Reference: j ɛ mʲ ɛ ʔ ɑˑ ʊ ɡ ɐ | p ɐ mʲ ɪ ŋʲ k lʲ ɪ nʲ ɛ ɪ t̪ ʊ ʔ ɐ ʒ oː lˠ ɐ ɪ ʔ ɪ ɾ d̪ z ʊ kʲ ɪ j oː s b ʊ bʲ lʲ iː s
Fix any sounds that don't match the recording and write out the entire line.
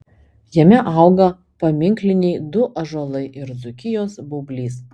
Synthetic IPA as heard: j ɛ mʲ ɛ ʔ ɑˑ ʊ ɡ ɐ | p ɐ mʲ ɪ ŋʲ k lʲ ɪ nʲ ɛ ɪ d̪ ʊ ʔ ɐ ʒ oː lˠ ɐ ɪ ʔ ɪ ɾ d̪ z ʊ kʲ ɪ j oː s b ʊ bʲ lʲ iː s